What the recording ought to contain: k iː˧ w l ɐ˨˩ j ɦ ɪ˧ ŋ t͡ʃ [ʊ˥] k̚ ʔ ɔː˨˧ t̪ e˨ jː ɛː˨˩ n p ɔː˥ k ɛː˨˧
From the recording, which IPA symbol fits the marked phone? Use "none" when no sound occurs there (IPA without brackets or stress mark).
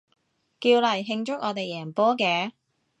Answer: ʊ˥